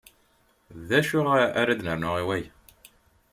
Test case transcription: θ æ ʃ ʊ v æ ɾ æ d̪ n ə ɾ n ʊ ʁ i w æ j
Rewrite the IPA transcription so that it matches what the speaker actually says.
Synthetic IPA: ð æ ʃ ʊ ʁ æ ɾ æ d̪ n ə ɾ n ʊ ʁ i w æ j